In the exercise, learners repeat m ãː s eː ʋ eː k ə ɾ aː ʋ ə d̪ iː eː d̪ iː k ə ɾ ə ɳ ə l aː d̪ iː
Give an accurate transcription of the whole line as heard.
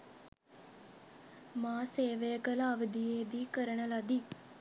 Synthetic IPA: m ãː s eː ʋ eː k ə l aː ʋ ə d̪ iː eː d̪ iː k ə ɾ ə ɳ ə l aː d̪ iː